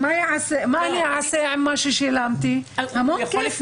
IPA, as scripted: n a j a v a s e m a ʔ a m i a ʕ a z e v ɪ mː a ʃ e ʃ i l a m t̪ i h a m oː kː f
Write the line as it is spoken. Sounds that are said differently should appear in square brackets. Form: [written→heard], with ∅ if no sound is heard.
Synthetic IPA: [n→m] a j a [v→ʕ] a s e m a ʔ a [m→n] i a ʕ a [z→s] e [v→ʕ] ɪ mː a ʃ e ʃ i l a m t̪ i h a m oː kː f

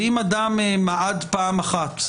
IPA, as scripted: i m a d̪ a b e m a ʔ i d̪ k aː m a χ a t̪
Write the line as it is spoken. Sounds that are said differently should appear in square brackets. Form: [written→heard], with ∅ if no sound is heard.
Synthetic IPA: i m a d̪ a [b→m] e m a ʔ [i→a] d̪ [k→p] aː m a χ a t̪

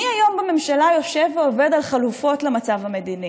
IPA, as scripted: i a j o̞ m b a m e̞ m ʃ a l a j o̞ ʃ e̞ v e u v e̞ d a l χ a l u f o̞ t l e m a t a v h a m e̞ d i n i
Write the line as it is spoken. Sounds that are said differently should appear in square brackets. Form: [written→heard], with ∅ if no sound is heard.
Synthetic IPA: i a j o̞ m b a m e̞ m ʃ a l a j o̞ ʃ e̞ v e [u→o] v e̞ d a l χ a l u f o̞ t l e m a [t→t͡s] a v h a m e̞ d i n i

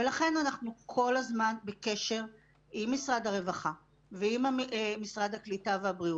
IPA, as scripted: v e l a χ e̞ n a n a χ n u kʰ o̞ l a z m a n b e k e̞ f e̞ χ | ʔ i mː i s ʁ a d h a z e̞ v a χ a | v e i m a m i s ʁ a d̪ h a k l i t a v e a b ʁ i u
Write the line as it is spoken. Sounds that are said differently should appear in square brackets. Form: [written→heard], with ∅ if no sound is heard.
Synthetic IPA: v e l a χ e̞ n a n a χ n u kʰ o̞ l a z m a n b e k e̞ [f→ʃ] e̞ [χ→ʁ] | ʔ i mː i s ʁ a d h a [z→ʁ] e̞ v a χ a | v e i m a m i s ʁ a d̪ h a k l i t a v e a b ʁ i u

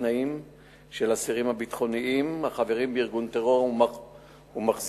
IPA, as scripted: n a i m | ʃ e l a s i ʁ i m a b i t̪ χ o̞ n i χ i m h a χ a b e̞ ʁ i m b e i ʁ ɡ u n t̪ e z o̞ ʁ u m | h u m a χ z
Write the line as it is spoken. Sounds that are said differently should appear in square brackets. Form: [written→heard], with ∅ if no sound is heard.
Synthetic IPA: n a i m | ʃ e l a s i ʁ i m a b i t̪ χ o̞ n i [χ→∅] i m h a χ a [b→v] e̞ ʁ i m b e i ʁ ɡ u n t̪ e [z→ʁ] o̞ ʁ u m | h u m a χ z

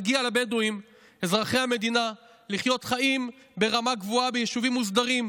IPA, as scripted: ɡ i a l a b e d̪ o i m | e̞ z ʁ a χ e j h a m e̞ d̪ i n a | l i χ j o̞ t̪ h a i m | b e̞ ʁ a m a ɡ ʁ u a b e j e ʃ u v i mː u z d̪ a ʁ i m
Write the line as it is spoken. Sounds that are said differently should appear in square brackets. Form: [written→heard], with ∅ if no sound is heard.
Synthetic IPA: ɡ i a l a b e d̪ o i m | e̞ z ʁ a χ e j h a m e̞ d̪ i n a | l i χ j o̞ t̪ [h→χ] a i m | b e̞ ʁ a m a ɡ [ʁ→v] u a b e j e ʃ u v i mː u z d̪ a ʁ i m

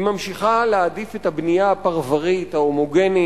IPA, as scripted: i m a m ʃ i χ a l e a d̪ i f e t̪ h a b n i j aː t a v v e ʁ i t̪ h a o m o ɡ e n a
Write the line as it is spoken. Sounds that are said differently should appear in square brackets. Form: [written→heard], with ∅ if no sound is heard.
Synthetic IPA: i m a m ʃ i χ a l e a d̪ i f e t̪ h a b n i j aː [t→p] a [v→ʁ] v [e→a] ʁ i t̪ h a o m o ɡ e n [a→i]

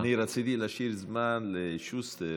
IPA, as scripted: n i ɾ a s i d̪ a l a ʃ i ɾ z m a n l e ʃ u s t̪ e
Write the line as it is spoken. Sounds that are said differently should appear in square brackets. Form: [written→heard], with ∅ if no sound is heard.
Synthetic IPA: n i ɾ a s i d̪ [a→i] l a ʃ i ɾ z m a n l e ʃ u s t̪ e

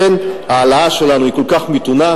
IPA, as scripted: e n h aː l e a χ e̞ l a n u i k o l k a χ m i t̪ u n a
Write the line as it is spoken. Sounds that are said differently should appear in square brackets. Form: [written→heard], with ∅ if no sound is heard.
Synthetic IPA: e n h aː l [e→a] a [χ→ʃ] e̞ l a n u i k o l k a χ m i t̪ u n a

